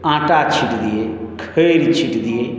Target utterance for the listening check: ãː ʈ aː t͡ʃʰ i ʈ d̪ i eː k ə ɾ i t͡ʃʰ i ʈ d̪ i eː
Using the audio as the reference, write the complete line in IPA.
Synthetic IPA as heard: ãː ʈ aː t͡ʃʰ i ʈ d̪ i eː kʰ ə ɾ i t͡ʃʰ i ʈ d̪ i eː